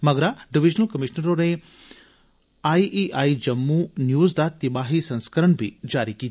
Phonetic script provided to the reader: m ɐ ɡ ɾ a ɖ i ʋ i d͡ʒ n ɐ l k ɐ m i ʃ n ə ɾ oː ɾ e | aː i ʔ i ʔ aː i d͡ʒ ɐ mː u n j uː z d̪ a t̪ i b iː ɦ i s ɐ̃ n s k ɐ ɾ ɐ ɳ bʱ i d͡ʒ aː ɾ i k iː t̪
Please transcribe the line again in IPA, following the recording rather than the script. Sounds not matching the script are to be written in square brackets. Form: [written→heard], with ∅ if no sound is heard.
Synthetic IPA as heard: m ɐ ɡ ɾ a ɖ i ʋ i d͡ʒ n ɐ l k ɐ m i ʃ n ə ɾ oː ɾ e | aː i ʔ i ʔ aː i d͡ʒ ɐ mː u n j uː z d̪ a t̪ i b [iː→aː] ɦ i s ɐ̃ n s k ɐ ɾ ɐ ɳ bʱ i d͡ʒ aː ɾ i k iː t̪